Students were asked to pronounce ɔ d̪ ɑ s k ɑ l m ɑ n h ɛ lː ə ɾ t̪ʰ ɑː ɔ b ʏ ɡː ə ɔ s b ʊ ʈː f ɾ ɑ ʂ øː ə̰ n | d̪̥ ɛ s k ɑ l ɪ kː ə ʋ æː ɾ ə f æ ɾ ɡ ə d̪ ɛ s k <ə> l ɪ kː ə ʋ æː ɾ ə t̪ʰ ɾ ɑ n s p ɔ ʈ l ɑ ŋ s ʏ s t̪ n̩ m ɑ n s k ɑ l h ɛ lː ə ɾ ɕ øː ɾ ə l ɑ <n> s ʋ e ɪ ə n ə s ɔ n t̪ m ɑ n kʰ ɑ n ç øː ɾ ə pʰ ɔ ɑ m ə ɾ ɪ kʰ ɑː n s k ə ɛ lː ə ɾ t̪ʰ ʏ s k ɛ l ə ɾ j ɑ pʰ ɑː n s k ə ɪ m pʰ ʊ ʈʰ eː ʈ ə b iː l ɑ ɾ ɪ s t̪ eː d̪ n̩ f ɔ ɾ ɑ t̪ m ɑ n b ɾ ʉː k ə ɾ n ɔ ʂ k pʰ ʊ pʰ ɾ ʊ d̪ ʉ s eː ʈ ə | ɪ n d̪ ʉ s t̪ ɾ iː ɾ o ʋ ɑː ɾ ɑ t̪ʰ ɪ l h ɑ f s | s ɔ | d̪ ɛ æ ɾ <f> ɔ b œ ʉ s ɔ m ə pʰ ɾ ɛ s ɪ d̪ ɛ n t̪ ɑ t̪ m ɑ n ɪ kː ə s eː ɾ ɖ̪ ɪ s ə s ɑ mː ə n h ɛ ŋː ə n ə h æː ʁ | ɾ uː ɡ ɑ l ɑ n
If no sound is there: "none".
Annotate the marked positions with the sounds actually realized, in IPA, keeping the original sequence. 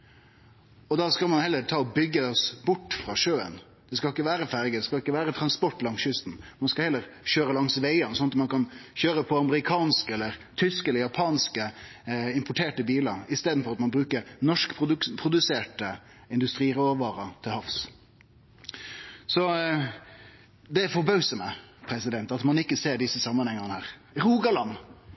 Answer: ɑ, ŋ, f

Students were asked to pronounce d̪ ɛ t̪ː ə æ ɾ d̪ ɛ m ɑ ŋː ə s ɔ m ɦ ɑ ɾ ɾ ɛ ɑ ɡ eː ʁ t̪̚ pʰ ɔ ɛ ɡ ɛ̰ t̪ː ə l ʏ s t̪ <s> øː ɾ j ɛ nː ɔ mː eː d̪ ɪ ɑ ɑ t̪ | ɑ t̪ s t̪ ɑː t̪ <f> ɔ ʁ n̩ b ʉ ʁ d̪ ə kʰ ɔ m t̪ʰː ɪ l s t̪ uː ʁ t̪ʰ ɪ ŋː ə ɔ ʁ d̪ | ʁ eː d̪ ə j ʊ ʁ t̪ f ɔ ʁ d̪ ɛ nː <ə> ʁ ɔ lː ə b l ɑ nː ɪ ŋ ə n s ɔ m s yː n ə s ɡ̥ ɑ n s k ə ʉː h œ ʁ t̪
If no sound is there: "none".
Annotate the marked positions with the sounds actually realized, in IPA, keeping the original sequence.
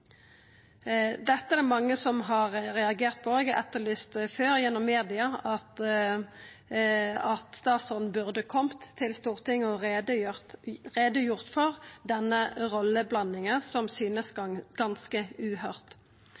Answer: f, s, ə

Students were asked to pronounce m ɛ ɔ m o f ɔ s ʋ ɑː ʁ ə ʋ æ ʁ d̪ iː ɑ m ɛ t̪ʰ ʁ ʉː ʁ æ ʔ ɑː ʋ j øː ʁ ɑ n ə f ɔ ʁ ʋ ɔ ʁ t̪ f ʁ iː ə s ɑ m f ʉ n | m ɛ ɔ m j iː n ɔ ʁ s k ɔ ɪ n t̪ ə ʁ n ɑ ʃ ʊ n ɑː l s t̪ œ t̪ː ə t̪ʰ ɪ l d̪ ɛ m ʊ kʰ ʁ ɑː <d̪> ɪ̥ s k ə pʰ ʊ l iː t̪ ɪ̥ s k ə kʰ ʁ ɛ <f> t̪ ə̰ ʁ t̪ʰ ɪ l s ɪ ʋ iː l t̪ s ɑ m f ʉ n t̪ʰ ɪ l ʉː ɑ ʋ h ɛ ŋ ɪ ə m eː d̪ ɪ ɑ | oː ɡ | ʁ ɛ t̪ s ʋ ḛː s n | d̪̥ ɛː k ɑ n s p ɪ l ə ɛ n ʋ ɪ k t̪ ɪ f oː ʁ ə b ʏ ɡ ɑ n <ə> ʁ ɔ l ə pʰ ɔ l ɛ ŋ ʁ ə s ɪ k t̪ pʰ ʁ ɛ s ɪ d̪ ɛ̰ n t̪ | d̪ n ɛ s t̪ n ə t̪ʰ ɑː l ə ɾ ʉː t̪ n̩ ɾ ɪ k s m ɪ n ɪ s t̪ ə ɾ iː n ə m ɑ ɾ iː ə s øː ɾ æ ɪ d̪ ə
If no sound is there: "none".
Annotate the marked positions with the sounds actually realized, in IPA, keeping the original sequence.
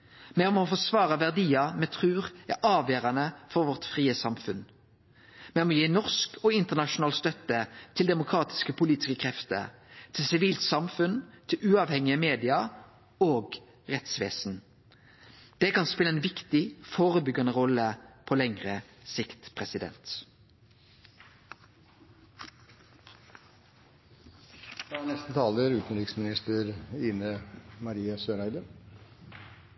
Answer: t̪, f, ə

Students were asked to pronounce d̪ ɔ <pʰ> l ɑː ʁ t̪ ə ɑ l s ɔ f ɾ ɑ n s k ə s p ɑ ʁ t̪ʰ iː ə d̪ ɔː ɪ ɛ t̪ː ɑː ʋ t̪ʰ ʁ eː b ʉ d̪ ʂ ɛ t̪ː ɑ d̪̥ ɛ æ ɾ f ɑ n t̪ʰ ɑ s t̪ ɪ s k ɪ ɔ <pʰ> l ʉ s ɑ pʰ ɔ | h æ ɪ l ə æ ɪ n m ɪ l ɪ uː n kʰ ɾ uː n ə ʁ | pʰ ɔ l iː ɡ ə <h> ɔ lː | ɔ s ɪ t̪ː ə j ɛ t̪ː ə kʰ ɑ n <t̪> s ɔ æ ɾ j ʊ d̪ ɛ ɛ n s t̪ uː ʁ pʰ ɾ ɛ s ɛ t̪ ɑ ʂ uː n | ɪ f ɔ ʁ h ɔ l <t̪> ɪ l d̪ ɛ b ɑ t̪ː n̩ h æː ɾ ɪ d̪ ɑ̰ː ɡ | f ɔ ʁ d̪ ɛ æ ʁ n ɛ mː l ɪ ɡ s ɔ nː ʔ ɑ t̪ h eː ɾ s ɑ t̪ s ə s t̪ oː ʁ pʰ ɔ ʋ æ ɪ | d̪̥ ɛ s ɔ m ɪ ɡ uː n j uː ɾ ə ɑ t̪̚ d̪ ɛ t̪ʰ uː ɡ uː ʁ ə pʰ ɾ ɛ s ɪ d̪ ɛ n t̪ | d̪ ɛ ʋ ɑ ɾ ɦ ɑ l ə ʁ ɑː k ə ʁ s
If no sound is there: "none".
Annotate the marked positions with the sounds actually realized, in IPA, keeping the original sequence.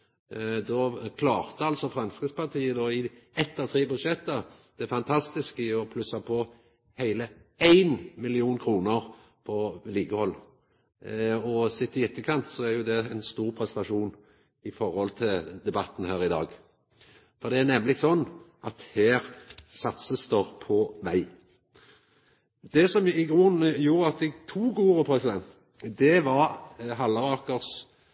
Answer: kʰ, pʰ, h, t̪, t̪ʰ

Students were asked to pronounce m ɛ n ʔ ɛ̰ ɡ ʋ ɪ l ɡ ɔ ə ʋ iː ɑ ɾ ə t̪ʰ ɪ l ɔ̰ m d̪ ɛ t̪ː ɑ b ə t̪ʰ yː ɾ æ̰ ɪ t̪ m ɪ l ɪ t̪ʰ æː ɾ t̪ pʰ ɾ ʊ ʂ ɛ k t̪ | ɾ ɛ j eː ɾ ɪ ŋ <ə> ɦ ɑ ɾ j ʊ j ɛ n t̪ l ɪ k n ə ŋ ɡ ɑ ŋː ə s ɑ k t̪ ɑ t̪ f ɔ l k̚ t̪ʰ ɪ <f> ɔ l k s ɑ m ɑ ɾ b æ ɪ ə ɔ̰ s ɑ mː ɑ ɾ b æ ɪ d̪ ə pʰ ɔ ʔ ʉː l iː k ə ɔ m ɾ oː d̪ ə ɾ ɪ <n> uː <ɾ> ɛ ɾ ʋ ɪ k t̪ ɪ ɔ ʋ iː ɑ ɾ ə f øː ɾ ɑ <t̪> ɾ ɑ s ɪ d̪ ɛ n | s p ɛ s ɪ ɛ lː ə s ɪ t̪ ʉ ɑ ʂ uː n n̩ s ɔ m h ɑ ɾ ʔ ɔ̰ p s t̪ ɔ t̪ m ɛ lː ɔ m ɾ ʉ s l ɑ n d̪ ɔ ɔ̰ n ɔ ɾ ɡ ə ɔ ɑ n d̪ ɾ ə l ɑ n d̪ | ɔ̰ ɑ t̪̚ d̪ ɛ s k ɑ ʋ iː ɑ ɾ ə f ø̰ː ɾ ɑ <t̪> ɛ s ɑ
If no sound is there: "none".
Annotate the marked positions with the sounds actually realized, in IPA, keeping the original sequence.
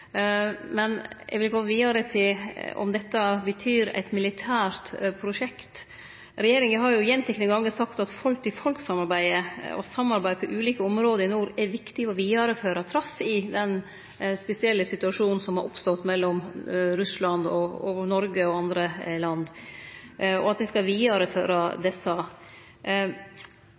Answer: ə, f, n, ɾ, t̪ʰ, d̪

